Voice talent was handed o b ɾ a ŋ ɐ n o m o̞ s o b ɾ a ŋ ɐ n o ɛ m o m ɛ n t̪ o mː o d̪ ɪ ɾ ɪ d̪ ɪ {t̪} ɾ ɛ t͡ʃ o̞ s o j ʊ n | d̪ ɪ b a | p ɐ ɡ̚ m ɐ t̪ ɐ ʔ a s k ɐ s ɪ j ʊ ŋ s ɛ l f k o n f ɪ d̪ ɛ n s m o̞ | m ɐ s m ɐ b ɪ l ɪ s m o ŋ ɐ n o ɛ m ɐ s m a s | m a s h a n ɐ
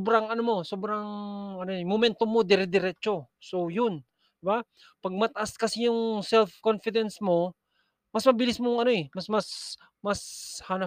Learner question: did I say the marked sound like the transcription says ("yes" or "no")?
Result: no